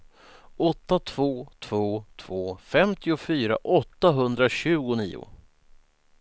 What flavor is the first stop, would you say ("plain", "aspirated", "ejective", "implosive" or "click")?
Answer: plain